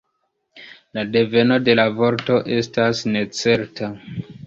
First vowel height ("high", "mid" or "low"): low